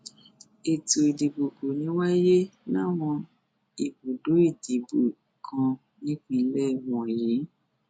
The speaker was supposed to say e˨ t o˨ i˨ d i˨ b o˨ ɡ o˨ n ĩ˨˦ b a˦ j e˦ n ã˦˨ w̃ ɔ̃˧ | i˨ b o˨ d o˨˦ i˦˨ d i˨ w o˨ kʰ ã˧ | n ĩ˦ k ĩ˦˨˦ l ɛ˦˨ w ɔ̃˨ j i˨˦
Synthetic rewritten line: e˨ t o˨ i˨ d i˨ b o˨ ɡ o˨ n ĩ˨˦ w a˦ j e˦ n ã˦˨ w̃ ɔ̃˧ | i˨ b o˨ d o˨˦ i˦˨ d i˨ b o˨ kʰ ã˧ | n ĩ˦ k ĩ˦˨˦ l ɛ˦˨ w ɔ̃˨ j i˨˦